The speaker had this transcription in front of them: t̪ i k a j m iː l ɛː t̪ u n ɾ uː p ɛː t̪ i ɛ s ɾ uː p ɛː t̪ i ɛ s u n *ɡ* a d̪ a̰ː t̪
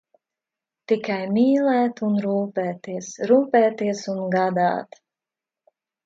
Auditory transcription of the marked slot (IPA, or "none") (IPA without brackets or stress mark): ɡ